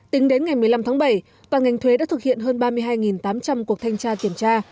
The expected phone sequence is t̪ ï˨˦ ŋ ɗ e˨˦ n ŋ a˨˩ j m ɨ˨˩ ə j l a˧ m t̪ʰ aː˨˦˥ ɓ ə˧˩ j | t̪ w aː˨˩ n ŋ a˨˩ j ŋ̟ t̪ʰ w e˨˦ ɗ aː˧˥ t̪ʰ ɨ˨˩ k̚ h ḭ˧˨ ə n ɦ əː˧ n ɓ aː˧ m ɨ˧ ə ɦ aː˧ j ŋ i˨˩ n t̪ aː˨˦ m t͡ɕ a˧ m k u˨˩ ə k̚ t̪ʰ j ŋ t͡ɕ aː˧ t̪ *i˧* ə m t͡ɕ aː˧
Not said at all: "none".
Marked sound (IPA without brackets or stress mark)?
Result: i˧˩